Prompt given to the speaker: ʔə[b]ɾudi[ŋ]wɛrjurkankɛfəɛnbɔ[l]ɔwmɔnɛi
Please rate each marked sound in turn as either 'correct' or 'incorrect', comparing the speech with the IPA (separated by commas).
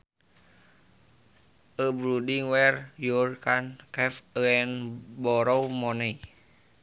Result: correct, correct, incorrect